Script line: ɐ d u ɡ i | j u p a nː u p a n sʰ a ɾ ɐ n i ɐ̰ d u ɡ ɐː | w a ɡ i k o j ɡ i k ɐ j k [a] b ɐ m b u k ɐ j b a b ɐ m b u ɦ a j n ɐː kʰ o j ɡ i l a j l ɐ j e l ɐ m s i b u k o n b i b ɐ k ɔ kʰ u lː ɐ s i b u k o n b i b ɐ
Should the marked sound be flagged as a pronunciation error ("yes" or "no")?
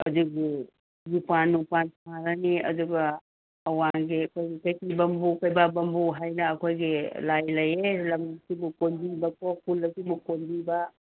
yes